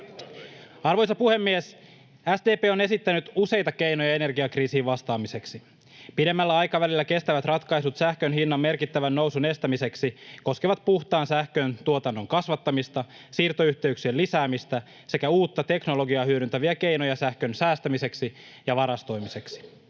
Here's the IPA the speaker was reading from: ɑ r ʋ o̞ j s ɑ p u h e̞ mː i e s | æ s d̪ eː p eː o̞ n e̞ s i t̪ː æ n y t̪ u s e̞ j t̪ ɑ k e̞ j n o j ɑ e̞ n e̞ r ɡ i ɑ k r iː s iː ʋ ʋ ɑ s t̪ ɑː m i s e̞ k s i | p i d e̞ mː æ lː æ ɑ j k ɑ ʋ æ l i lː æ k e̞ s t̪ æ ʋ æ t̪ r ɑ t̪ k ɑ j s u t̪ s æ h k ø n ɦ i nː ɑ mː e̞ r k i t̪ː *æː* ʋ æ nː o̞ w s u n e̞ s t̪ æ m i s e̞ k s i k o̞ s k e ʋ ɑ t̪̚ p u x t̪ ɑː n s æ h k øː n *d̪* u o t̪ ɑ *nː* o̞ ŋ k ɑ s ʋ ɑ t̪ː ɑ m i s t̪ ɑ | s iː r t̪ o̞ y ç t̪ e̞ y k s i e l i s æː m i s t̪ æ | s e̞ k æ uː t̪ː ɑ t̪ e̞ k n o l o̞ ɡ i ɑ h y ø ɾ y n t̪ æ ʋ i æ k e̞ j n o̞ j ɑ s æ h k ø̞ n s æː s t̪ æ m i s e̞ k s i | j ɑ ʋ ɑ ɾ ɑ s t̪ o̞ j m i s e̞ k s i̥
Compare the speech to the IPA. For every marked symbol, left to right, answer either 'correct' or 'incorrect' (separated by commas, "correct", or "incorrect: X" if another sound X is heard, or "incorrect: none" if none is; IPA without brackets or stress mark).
incorrect: æ, incorrect: t̪, correct